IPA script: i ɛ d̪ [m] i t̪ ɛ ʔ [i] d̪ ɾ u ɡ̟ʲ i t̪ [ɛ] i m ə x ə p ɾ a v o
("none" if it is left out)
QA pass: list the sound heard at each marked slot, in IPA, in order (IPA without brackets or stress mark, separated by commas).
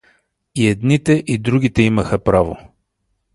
n, i, ɛ